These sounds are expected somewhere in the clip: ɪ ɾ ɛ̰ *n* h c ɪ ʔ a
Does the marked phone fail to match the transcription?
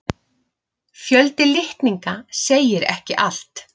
yes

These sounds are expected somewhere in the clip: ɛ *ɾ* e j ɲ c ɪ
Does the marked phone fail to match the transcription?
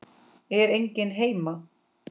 no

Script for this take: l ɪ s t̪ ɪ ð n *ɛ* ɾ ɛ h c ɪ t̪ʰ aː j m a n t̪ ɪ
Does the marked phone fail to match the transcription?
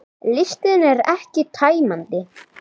no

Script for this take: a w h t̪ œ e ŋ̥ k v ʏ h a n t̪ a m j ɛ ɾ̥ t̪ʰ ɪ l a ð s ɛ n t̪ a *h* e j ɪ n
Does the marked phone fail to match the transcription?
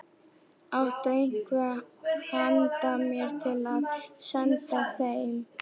yes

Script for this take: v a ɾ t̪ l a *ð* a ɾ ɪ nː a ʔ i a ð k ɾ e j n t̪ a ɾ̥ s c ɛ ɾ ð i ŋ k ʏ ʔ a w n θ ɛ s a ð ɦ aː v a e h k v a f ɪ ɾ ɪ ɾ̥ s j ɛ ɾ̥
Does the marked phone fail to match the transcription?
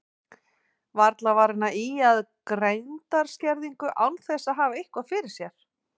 yes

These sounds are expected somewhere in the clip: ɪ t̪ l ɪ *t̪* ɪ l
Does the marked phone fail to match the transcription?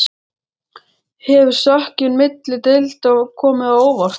no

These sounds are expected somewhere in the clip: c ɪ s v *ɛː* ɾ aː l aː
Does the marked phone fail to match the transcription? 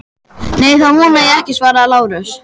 yes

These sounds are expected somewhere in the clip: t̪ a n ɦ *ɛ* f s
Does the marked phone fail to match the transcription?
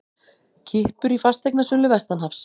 yes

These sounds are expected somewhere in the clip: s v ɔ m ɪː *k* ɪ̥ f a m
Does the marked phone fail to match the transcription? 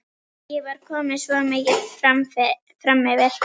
yes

